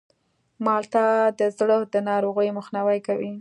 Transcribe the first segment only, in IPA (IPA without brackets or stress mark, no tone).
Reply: m